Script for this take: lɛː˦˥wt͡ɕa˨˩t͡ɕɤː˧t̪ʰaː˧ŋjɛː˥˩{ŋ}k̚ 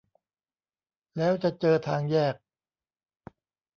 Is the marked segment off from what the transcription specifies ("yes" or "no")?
yes